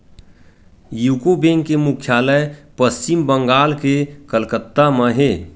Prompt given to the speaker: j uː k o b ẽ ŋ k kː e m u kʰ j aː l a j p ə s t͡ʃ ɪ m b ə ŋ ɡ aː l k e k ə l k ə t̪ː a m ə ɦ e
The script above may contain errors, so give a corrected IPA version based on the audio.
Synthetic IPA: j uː k o b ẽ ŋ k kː e m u kʰ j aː l ə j p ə s t͡ʃ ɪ m b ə ŋ ɡ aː l k e k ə l k ə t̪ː a m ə ɦ e